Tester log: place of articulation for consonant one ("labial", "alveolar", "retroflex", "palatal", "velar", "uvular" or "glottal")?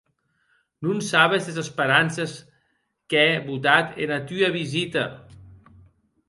alveolar